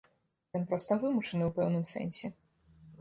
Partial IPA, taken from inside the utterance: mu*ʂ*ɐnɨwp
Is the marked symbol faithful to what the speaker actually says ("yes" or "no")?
no